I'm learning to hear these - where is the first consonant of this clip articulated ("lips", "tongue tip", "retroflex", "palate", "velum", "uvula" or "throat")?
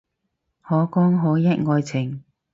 throat